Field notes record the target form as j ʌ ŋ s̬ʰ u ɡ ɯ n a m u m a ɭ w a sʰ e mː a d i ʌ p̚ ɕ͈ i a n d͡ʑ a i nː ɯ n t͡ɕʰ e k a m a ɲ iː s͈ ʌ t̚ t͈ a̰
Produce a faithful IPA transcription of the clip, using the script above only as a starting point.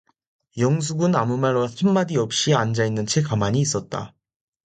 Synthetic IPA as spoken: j ʌ ŋ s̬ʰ u ɡ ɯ n a m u m a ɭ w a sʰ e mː a d i ʌ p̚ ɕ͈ i a n d͡ʑ a i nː ɯ n t͡ɕʰ e k a m a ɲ iː s͈ ʌ t̚ t͈ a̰